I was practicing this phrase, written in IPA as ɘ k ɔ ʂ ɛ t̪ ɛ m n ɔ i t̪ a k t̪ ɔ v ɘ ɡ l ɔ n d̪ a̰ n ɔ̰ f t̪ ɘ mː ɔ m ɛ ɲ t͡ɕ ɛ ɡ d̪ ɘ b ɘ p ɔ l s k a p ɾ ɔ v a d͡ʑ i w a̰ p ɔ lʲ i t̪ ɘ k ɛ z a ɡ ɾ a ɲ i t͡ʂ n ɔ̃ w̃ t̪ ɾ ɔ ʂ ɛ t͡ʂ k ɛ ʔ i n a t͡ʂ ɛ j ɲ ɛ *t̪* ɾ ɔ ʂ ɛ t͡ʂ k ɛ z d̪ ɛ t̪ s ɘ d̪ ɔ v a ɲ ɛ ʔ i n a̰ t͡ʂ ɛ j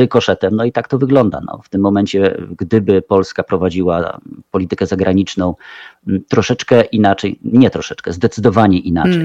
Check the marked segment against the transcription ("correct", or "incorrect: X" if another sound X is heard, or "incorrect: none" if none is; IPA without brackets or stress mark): correct